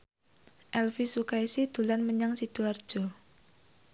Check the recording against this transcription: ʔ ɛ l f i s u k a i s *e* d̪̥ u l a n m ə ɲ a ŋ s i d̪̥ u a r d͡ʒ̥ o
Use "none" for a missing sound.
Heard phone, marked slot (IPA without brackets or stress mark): i